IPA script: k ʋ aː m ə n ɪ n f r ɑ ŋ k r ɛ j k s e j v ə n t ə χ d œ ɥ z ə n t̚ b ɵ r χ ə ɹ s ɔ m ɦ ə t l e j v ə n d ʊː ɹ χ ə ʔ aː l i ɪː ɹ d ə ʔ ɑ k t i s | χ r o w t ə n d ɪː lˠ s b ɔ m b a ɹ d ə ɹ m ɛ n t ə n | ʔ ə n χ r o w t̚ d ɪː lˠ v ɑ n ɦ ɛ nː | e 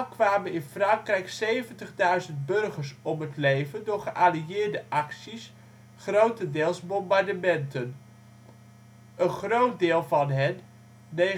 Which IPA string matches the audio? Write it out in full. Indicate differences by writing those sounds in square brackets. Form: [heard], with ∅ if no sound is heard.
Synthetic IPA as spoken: k ʋ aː m ə n ɪ n f r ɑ ŋ k r ɛ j k s e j v ə n t ə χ d œ ɥ z ə n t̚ b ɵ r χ ə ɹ s ɔ m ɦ ə t l e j v ə n d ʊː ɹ χ ə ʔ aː l i ɪː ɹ d ə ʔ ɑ k [s] i s | χ r o w t ə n d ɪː lˠ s b ɔ m b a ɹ d ə [∅] m ɛ n t ə n | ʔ ə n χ r o w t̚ d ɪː lˠ v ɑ n ɦ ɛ nː | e